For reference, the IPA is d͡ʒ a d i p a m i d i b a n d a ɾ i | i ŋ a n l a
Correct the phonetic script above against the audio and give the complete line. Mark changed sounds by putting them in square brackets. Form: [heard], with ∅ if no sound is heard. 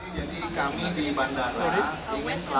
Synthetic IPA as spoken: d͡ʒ a d i [k] a m i d i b a n d a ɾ [a] | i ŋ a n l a

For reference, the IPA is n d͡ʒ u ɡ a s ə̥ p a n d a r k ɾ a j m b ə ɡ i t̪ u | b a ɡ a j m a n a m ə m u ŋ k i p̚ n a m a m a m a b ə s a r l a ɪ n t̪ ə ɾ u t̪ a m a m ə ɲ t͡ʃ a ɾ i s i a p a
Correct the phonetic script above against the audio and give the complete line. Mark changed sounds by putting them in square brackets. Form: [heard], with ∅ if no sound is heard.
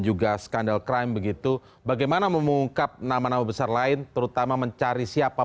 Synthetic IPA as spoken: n d͡ʒ u ɡ a s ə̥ [k] a n d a [l] k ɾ a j m b ə ɡ i t̪ u | b a ɡ a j m a n a m ə m u ŋ k [a] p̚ n a m a [n] a m a b ə s a r l a ɪ n t̪ ə ɾ u t̪ a m a m ə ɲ t͡ʃ a ɾ i s i a p a

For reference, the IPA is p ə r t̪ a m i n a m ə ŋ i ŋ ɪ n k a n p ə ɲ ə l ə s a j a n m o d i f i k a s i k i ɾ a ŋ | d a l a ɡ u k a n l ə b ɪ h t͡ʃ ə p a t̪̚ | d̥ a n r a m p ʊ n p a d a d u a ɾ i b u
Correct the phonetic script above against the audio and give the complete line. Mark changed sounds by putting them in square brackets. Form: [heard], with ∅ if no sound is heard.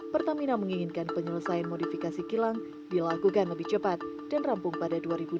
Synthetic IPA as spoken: p ə r t̪ a m i n a m ə ŋ i ŋ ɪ n k a n p ə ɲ ə l ə s a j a n m o d i f i k a s i k i [l] a ŋ | d [i] l a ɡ u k a n l ə b ɪ h t͡ʃ ə p a t̪̚ | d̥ a n r a m p ʊ [ŋ] p a d a d u a ɾ i b u

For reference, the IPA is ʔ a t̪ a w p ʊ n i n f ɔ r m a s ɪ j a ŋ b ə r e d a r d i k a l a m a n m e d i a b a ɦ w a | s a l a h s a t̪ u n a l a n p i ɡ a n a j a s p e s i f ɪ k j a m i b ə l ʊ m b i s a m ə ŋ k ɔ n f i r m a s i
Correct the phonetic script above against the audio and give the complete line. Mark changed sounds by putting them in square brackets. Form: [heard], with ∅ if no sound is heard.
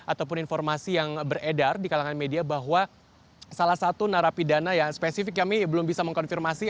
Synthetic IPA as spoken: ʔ a t̪ a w p ʊ n i n f ɔ r m a s [i] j a ŋ b ə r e d a r d i k a l a [ŋ] a n m e d i a b a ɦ w a | s a l a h s a t̪ u n a [ɾ] a [∅] p i [d] a n a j a s p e s i f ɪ k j a m i b ə l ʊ m b i s a m ə ŋ k ɔ n f i r m a s i

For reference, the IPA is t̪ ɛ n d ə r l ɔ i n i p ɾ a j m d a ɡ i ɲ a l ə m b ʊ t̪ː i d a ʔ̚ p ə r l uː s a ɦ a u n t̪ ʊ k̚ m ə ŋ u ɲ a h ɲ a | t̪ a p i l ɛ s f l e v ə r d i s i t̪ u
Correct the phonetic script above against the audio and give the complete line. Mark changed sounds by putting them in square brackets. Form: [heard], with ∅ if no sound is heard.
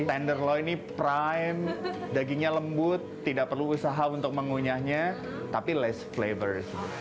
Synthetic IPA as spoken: t̪ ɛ n d ə r l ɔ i n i p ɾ a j m d a ɡ i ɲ a l ə m b ʊ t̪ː i d a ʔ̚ p ə r l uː s a ɦ a u n t̪ ʊ k̚ m ə ŋ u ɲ a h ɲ a | t̪ a p i l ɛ s f l e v ə r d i s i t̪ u

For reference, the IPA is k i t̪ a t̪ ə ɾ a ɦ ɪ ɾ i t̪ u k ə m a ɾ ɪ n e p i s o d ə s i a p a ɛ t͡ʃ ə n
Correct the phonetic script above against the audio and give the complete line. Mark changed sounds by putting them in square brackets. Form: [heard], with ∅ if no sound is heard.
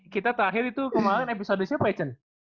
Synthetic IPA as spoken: k i t̪ a t̪ ə ɾ a ɦ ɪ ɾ i t̪ u k ə m a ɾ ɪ n e p i s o d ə s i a p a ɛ t͡ʃ ə n

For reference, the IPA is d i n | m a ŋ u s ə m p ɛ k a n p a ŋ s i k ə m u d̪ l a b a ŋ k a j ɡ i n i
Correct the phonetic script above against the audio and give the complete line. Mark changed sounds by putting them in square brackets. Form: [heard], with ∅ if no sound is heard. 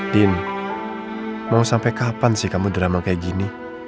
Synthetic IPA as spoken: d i n | m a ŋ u s [a] m p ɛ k a [∅] p a [n] s i k [a] m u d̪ [ɾ] a [m] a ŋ k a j ɡ i n i

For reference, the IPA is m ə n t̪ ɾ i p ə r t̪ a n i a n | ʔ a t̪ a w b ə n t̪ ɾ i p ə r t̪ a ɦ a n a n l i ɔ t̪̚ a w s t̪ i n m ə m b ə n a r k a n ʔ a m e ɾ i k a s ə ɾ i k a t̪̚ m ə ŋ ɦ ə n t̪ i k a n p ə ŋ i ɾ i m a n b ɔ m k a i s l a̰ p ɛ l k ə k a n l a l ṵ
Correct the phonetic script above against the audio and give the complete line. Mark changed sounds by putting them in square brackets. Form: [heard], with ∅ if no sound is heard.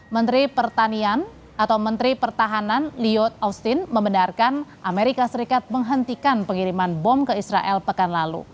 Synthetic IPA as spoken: m ə n t̪ ɾ i p ə r t̪ a n i a n | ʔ a t̪ a w [m] ə n t̪ ɾ i p ə r t̪ a ɦ a n a n l i ɔ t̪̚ a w s t̪ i n m ə m b ə n a r k a n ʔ a m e ɾ i k a s ə ɾ i k a t̪̚ m ə ŋ ɦ ə n t̪ i k a n p ə ŋ i ɾ i m a n b ɔ m k [ə] i s [ɾ] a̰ [ʔ] ɛ l [p] ə k a n l a l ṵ

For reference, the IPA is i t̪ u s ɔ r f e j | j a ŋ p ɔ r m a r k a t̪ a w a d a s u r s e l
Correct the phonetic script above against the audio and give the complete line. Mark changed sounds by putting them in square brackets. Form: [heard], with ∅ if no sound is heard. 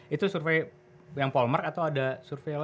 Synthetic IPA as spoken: i t̪ u s [u] r f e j | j a ŋ p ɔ [l] m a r k a t̪ a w a d a s u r [f] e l

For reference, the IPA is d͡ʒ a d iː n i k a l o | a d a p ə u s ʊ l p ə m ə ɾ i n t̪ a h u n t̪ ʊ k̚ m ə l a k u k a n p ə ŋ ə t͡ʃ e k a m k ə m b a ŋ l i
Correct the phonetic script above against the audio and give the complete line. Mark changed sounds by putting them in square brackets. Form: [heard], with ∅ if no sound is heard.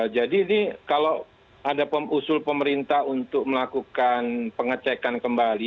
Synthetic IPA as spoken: d͡ʒ a d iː n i k a l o | a d a p ə u s ʊ l p ə m ə ɾ i n t̪ a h u n t̪ ʊ k̚ m ə l a k u k a n p ə ŋ ə t͡ʃ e k a [n] k ə m b a [∅] l i

